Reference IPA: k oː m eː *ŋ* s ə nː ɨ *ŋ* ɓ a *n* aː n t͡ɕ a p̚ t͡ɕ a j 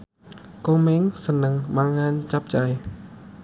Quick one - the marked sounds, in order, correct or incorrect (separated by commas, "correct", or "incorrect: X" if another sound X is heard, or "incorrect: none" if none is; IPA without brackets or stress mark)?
correct, correct, incorrect: ŋ